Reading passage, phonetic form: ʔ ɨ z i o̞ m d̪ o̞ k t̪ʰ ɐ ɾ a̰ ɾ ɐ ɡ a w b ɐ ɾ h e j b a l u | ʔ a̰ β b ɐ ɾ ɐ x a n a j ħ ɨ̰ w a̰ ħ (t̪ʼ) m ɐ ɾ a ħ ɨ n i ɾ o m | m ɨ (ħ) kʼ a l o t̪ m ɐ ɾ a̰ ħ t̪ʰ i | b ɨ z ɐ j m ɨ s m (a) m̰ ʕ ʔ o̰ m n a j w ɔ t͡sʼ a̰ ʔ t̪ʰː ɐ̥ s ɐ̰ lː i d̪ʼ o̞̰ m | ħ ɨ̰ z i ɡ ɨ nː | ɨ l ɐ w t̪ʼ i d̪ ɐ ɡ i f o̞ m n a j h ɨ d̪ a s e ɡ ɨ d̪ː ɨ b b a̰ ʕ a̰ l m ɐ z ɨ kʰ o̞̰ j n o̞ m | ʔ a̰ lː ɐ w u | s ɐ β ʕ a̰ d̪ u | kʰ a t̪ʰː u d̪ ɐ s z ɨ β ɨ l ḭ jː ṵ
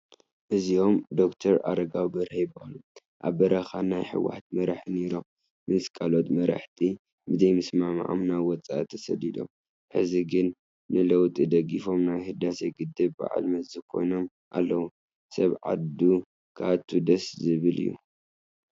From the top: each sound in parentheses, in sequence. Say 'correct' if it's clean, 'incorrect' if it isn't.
incorrect, incorrect, correct

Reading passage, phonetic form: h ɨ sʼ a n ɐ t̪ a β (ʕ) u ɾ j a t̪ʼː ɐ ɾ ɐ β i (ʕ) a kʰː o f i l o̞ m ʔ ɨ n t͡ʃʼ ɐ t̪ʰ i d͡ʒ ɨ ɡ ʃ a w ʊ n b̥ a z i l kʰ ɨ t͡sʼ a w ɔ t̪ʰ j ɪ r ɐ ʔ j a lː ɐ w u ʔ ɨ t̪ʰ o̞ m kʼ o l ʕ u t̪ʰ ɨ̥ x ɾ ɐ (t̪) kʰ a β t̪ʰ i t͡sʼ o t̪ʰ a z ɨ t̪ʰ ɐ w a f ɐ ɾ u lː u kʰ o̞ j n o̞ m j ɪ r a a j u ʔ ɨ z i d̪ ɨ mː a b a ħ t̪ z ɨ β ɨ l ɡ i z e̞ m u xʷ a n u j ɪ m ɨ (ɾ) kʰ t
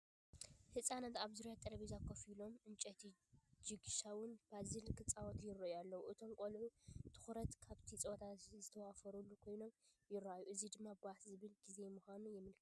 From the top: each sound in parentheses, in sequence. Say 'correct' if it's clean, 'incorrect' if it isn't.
incorrect, incorrect, correct, incorrect

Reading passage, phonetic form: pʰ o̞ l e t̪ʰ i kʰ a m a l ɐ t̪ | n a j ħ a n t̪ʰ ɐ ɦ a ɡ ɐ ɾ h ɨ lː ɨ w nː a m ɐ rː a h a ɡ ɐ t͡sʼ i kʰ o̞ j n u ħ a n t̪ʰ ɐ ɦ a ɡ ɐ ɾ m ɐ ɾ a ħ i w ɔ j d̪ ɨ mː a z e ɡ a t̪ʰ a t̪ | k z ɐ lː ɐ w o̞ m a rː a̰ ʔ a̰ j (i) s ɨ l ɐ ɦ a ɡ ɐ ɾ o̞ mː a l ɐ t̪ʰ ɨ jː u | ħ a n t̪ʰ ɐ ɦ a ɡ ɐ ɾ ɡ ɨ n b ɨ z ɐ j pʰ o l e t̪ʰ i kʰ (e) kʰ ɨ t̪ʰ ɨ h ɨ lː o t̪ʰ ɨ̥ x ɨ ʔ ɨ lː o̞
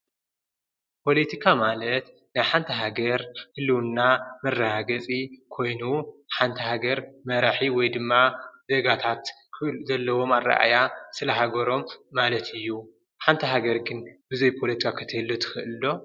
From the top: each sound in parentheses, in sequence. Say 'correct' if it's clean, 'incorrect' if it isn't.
incorrect, incorrect

